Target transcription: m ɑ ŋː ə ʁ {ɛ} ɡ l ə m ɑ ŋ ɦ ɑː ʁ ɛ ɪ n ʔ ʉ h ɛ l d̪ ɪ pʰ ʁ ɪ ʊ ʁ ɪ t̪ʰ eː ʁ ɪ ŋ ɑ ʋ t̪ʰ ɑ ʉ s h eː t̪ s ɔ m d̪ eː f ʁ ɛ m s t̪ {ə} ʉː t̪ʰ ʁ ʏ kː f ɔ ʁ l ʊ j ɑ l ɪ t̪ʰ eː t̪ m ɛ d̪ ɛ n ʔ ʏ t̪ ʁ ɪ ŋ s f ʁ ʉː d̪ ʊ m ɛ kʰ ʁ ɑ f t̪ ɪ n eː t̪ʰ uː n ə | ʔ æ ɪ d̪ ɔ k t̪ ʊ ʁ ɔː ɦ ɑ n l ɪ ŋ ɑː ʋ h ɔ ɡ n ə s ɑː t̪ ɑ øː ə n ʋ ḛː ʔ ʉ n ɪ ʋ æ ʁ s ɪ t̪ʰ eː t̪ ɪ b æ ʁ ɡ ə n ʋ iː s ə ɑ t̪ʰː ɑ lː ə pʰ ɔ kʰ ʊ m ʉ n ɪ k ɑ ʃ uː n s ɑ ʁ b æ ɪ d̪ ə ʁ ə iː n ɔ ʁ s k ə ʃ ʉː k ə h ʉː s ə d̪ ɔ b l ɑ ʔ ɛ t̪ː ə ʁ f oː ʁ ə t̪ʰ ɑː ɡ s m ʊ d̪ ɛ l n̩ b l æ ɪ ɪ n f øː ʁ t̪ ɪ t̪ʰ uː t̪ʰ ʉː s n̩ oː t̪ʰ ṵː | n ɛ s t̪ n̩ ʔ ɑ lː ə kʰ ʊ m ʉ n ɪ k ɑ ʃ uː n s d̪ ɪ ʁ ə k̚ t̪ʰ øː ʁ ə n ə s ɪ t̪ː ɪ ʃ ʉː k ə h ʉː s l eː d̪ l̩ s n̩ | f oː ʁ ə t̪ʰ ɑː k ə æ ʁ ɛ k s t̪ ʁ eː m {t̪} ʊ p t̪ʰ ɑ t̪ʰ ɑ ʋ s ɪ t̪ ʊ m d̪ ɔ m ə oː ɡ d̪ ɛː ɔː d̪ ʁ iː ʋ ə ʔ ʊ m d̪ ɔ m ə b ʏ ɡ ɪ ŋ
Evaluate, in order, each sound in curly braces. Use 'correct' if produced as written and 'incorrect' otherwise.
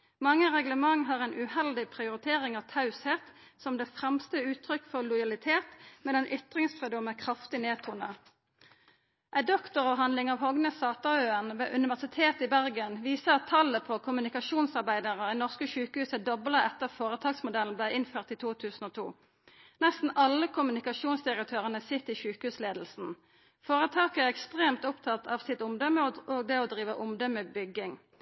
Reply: correct, correct, correct

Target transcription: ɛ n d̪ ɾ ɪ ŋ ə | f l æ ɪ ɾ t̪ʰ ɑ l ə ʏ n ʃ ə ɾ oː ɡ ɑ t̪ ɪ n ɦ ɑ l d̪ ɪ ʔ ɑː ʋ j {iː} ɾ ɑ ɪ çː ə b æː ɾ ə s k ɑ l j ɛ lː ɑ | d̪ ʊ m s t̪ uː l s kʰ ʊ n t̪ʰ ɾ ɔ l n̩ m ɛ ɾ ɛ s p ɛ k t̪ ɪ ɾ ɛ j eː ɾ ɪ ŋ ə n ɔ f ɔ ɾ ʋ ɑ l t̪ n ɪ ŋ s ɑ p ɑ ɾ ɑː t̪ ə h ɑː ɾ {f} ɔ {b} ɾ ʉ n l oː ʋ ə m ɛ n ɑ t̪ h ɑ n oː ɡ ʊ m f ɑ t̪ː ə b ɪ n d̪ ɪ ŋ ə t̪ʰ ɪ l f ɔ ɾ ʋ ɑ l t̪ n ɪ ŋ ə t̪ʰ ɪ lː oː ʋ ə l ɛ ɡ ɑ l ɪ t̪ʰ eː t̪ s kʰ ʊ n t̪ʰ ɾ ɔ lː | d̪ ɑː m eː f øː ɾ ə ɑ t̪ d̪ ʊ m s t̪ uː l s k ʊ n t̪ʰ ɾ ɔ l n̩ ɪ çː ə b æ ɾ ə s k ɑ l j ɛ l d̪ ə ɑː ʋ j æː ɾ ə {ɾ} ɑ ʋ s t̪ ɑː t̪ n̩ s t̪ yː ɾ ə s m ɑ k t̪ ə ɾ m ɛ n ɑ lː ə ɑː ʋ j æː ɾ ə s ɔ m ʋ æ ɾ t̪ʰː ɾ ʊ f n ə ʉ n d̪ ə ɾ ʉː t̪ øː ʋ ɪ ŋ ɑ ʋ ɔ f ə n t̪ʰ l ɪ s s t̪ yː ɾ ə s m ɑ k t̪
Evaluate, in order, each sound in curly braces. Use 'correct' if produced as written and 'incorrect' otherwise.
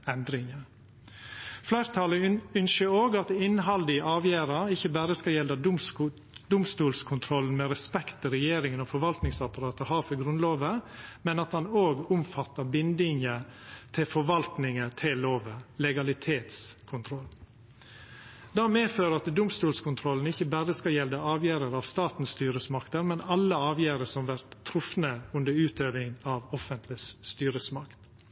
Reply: incorrect, correct, incorrect, correct

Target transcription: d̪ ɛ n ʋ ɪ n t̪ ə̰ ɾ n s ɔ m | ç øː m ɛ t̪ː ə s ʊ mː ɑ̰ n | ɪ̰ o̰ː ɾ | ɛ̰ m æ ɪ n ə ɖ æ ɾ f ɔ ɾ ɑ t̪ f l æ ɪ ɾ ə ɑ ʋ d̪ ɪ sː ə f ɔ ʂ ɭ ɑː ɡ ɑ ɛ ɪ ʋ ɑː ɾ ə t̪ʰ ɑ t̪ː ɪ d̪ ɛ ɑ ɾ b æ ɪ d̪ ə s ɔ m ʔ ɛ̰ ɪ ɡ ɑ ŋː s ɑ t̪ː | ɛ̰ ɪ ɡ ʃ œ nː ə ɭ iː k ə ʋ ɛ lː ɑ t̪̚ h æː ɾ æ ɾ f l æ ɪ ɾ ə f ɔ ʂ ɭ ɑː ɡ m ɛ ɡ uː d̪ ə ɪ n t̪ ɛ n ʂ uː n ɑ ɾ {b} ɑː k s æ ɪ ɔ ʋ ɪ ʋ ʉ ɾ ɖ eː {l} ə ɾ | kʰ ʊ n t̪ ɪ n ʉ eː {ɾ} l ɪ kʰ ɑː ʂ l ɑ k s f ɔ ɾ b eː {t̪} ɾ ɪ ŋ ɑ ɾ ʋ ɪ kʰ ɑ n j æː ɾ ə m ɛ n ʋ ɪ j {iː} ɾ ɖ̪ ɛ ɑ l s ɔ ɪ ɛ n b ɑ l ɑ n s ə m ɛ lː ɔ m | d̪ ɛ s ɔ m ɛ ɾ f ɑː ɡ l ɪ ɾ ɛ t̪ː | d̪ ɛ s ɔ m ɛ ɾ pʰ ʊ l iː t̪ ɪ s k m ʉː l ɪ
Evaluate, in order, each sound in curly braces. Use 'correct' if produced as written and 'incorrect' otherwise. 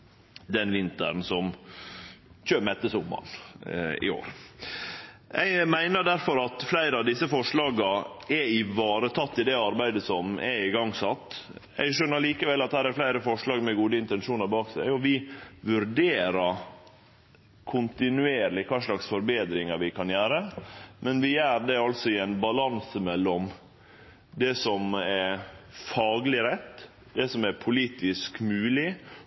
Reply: correct, incorrect, correct, incorrect, incorrect

